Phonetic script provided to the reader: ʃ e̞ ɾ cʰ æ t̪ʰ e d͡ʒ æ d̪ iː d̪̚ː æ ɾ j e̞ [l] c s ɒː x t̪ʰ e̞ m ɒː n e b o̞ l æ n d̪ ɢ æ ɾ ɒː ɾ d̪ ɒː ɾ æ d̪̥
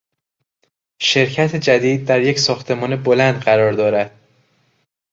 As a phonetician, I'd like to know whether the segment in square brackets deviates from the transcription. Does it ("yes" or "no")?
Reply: yes